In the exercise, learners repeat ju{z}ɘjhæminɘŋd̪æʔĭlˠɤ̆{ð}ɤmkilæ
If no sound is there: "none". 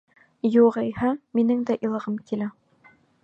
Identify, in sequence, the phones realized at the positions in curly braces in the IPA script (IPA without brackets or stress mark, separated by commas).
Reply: ʁ, ʁ